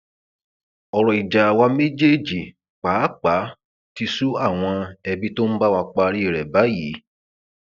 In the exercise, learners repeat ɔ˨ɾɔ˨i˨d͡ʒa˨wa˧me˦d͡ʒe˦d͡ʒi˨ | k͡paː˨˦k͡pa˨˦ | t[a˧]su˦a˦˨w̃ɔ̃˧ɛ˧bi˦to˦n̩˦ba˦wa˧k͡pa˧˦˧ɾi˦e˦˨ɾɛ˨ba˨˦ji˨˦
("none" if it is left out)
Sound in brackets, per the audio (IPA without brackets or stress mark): i˧